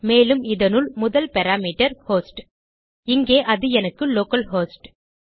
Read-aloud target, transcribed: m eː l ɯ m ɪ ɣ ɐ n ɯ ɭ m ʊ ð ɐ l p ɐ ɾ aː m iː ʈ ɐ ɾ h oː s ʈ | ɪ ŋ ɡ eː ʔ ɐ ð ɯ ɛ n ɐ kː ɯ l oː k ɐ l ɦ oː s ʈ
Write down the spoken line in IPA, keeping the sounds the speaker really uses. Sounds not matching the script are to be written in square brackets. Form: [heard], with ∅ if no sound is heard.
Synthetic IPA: m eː l ɯ m ɪ [ð] ɐ n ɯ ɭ m ʊ ð ɐ l p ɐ ɾ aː m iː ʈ ɐ ɾ h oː s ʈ | ɪ ŋ ɡ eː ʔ ɐ ð ɯ ɛ n ɐ kː ɯ l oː k ɐ l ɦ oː s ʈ